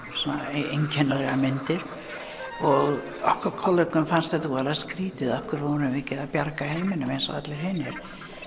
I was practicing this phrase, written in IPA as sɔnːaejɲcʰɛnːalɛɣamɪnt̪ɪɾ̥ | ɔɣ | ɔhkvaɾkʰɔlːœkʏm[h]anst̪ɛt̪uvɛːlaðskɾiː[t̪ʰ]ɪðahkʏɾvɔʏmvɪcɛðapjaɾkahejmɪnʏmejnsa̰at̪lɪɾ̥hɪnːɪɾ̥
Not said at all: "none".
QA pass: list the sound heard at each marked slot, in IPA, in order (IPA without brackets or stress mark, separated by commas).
f, t̪